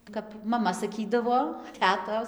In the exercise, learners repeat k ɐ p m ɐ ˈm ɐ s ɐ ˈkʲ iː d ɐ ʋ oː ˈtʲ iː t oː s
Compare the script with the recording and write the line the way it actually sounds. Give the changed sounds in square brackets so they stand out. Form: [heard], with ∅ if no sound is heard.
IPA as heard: k ɐ p m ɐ ˈm ɐ s ɐ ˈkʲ iː d ɐ ʋ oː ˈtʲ [æː] t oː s